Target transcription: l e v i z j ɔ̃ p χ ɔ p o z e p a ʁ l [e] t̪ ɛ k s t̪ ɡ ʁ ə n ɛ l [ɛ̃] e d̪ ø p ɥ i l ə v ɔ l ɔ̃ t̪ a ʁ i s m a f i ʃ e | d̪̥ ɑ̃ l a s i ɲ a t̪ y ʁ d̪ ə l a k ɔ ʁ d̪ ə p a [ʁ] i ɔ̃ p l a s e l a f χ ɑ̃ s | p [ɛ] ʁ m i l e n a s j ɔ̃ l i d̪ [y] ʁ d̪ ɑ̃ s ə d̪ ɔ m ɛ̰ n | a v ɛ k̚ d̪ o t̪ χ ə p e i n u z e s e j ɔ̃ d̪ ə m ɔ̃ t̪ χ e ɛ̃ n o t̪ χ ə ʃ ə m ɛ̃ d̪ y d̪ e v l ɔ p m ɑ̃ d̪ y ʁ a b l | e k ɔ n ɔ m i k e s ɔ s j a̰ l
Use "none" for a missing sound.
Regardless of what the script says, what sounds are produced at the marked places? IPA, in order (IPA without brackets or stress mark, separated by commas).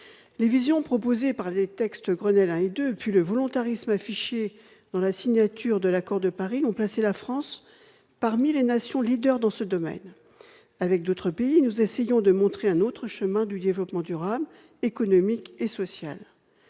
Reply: e, ɛ̃, ʁ, a, œ